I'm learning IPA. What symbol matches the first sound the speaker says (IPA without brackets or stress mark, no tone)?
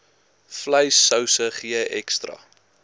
f